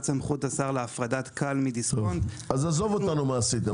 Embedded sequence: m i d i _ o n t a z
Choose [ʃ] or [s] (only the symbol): s